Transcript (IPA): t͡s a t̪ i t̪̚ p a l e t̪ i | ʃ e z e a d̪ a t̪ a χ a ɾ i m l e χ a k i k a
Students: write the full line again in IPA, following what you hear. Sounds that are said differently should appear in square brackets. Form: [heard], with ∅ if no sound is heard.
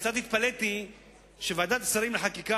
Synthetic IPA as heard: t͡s a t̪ i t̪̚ p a l e t̪ i | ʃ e [v] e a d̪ a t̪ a [s] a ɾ i m l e [ħ] a k i k a